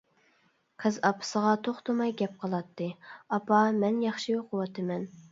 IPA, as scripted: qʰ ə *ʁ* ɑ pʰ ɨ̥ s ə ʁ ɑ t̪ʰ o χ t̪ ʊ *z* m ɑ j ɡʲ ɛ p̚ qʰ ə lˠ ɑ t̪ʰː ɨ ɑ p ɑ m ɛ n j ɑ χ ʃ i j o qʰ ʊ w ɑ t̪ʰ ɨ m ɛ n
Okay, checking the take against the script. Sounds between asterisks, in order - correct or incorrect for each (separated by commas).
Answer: incorrect, incorrect